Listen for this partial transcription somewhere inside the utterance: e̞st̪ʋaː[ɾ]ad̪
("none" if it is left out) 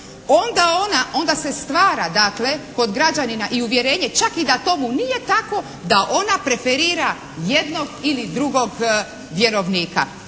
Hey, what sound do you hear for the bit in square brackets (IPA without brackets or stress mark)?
ɾ